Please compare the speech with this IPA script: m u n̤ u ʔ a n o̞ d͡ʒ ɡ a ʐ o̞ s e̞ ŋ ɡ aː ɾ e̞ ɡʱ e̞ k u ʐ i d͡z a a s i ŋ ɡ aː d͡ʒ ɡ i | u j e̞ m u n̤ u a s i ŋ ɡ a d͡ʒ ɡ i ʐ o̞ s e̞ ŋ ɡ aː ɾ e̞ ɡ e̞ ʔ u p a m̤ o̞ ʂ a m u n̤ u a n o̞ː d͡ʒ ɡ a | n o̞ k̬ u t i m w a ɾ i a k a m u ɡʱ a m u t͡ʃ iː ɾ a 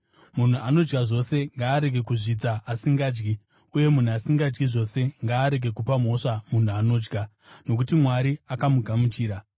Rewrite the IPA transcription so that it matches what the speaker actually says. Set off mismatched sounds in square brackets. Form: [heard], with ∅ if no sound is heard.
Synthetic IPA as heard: m u n̤ u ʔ a n o̞ d͡ʒ ɡ a ʐ o̞ s e̞ ŋ ɡ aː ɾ e̞ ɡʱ e̞ k u ʐ i d͡z a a s i ŋ ɡ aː d͡ʒ ɡ i | u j e̞ m u n̤ u a s i ŋ ɡ a d͡ʒ ɡ i ʐ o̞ s e̞ ŋ ɡ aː ɾ e̞ ɡ e̞ [k] u p a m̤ o̞ ʂ a m u n̤ u a n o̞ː d͡ʒ ɡ a | n o̞ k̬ u t i m w a ɾ i a k a m u ɡʱ a m u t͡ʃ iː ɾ a